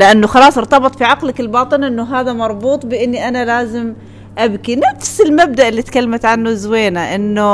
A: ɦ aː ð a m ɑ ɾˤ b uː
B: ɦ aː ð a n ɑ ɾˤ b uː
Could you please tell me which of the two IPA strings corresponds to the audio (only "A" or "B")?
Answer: A